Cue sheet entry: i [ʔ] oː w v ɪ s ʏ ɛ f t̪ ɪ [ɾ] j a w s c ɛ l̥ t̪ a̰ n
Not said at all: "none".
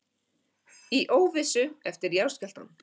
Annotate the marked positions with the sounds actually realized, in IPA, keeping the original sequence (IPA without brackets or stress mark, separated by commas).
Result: ʔ, ɾ